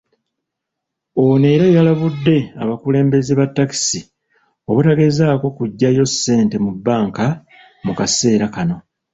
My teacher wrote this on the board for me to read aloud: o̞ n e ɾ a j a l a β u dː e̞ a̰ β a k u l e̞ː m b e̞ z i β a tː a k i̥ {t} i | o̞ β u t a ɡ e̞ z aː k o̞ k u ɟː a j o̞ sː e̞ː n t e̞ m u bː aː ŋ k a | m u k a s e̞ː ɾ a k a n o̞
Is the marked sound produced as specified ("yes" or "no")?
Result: no